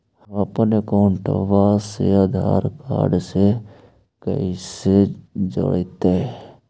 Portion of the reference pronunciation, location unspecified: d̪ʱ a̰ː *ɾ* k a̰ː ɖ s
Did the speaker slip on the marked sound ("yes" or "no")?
no